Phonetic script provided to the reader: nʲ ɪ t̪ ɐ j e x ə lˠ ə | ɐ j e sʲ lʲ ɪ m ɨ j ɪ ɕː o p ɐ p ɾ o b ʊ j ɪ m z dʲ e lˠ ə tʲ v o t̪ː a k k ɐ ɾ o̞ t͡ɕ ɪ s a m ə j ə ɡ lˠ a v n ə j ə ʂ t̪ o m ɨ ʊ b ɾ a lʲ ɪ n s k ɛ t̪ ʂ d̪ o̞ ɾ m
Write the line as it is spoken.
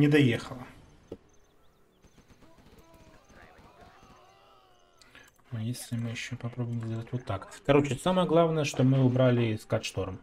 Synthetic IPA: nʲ ɪ d̪ ɐ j e x ə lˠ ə | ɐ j e sʲ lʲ ɪ m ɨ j ɪ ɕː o p ɐ p ɾ o b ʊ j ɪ m z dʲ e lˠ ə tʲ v o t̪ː a k k ɐ ɾ o̞ t͡ɕ ɪ s a m ə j ə ɡ lˠ a v n ə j ə ʂ t̪ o m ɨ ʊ b ɾ a lʲ ɪ s k a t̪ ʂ t̪ o̞ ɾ m